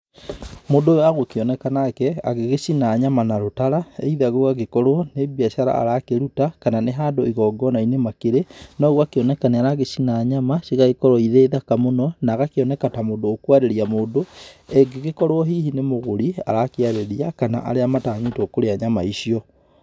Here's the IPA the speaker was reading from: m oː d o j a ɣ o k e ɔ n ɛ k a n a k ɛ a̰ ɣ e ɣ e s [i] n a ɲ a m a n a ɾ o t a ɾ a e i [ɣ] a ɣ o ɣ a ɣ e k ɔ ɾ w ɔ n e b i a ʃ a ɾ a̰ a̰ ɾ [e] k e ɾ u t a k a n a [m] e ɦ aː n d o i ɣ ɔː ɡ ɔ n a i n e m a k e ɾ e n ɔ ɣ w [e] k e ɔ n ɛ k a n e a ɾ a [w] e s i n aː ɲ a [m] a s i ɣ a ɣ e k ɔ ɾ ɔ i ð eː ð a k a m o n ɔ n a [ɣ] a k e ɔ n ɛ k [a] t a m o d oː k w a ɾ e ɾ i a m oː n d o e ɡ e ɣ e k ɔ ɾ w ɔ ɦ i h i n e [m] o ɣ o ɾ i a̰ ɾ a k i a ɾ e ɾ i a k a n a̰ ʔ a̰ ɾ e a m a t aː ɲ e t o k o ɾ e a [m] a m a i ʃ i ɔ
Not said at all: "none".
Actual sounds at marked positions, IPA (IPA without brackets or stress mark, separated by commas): i, ð, a, n, a, ɣ, m, ɣ, a, m, ɲ